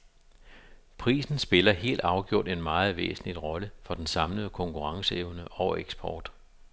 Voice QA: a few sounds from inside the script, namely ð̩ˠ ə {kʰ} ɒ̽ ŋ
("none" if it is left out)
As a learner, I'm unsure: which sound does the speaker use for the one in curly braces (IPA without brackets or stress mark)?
kʰ